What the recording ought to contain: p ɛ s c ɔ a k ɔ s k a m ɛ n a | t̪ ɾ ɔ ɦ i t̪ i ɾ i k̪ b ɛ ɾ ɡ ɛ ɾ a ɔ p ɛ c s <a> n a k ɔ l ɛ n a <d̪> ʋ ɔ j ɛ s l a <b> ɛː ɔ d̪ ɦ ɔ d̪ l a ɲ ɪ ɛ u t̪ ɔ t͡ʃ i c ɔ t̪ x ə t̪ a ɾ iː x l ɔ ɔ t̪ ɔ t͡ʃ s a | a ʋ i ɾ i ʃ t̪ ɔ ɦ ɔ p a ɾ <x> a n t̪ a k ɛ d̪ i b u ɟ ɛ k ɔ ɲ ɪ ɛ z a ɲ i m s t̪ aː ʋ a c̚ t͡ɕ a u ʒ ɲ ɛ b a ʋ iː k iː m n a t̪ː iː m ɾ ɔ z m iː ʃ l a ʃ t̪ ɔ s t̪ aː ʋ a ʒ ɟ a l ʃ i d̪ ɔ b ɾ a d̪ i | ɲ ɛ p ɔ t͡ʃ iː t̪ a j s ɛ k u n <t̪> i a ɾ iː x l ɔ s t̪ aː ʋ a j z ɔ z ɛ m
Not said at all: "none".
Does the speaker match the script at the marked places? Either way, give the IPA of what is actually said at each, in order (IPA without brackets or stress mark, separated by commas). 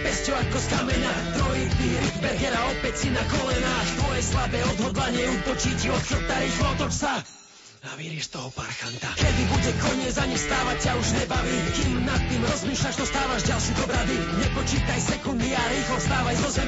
i, t̪, b, x, d̪